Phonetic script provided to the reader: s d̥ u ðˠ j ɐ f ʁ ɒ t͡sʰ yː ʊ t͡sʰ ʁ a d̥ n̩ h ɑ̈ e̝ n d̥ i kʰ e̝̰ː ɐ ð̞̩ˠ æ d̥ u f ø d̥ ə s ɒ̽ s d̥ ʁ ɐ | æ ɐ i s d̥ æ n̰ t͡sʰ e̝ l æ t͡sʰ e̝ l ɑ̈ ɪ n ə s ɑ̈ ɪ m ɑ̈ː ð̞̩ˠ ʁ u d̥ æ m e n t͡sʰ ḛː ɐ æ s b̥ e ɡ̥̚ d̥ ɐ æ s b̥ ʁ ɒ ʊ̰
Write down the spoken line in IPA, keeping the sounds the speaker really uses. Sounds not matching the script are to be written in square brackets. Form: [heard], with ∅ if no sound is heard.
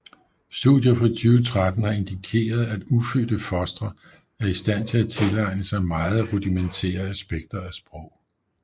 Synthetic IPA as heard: s d̥ u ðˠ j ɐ f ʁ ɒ t͡sʰ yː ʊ t͡sʰ ʁ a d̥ n̩ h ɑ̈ e̝ n d̥ i kʰ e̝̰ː ɐ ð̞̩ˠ æ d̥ u f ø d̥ ə [f] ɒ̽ s d̥ ʁ ɐ | æ ɐ i s d̥ æ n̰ t͡sʰ e̝ l æ t͡sʰ e̝ l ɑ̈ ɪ n ə s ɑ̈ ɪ m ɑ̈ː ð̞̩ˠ ʁ u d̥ [i] m e n t͡sʰ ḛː ɐ æ s b̥ e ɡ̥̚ d̥ ɐ æ s b̥ ʁ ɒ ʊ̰

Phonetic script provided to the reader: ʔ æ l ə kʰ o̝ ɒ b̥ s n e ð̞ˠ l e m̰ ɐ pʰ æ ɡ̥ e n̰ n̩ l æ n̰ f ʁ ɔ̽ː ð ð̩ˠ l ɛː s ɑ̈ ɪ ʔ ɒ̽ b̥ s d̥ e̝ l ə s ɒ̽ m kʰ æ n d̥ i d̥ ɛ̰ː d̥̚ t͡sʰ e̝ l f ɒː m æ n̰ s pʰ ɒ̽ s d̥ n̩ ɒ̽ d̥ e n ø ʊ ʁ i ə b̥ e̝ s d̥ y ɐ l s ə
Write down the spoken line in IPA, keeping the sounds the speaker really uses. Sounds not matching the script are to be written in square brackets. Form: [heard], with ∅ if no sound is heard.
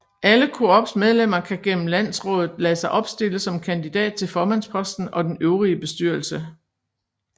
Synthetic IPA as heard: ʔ æ l ə kʰ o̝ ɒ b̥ s [m] e ð̞ˠ l e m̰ ɐ [kʰ] æ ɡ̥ e n̰ [m̩] l æ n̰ [s] ʁ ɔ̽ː ð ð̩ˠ l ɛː s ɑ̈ ɪ ʔ ɒ̽ b̥ s d̥ e̝ l ə s ɒ̽ m kʰ æ n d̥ i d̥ ɛ̰ː d̥̚ t͡sʰ e̝ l f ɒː m æ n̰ s pʰ ɒ̽ s d̥ n̩ ɒ̽ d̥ e n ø ʊ ʁ i ə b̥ e̝ s d̥ y ɐ l s ə

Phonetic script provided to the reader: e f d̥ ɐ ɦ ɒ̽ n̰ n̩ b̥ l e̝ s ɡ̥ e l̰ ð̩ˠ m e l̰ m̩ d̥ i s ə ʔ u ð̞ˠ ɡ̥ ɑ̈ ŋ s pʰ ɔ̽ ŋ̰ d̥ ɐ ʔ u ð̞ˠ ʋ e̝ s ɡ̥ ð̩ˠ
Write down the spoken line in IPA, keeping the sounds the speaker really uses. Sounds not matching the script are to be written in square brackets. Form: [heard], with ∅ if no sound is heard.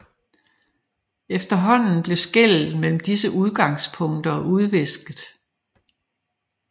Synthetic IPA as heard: e f d̥ ɐ ɦ ɒ̽ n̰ n̩ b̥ l e̝ s ɡ̥ e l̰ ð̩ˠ m e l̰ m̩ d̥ i s ə ʔ u ð̞ˠ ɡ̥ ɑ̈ ŋ s pʰ ɔ̽ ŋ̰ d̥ ɐ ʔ u ð̞ˠ ʋ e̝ s ɡ̥ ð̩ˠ

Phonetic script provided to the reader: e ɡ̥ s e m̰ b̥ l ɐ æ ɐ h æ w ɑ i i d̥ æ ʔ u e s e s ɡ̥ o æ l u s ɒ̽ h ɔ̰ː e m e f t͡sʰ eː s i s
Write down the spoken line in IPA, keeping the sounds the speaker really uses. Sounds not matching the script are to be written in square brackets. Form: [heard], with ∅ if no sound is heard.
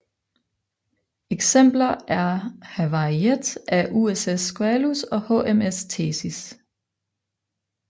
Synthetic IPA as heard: e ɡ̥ s e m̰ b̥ l ɐ æ ɐ h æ [ʋ] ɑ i [e] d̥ æ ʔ u e s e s ɡ̥ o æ l u s ɒ̽ h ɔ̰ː e m e [s] t͡sʰ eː s i s

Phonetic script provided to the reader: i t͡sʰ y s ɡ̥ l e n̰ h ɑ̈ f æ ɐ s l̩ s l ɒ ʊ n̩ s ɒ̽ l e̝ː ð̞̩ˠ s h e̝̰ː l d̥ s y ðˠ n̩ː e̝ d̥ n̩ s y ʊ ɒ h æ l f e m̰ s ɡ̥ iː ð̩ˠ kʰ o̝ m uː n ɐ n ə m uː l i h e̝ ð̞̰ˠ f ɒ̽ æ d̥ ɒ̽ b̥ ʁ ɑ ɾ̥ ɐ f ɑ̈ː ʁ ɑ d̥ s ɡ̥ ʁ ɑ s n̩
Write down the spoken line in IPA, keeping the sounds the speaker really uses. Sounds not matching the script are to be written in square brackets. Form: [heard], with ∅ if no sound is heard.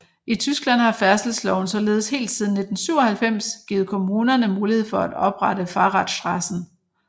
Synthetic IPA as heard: i t͡sʰ y s ɡ̥ l [æ] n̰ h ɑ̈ f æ ɐ s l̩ s l ɒ ʊ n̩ s ɒ̽ l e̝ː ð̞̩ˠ s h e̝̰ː l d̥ s [i] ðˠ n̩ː e̝ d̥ n̩ s y ʊ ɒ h æ l f e m̰ s ɡ̥ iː ð̩ˠ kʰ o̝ m uː n ɐ n ə m uː l i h e̝ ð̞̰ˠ f ɒ̽ æ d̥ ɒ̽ b̥ ʁ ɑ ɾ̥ [ə] f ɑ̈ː ʁ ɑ d̥ s [d̥] ʁ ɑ s n̩

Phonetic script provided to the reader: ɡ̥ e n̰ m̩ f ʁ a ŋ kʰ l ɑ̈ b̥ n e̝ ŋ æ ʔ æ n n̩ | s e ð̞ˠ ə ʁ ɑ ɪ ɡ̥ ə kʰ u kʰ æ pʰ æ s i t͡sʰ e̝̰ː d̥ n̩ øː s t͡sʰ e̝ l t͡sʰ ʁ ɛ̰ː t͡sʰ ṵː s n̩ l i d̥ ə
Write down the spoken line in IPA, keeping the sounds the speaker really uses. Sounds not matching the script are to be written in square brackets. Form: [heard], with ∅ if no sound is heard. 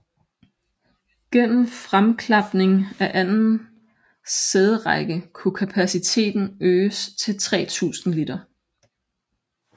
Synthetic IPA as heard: ɡ̥ e n̰ m̩ f ʁ a [m] kʰ l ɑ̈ b̥ n e̝ ŋ æ ʔ æ n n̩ | s e ð̞ˠ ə ʁ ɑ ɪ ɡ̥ ə kʰ u kʰ æ pʰ æ s i t͡sʰ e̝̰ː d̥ n̩ øː s t͡sʰ e̝ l t͡sʰ ʁ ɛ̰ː t͡sʰ ṵː s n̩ l i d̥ [ɐ]

